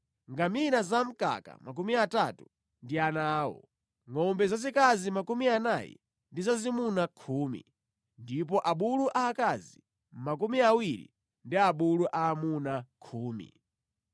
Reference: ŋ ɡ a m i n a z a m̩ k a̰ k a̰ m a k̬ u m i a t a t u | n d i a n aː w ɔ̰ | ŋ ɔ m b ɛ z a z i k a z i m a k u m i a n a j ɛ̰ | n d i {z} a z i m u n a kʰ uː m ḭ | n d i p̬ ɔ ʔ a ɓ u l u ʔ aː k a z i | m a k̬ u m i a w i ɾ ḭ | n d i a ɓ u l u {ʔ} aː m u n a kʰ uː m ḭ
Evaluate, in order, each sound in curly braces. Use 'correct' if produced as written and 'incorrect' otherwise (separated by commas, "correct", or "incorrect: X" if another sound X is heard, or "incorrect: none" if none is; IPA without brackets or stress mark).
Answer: correct, correct